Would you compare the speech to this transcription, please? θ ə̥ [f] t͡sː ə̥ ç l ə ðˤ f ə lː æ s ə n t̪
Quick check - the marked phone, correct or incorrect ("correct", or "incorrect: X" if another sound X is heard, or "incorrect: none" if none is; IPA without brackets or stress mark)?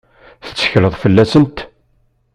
incorrect: none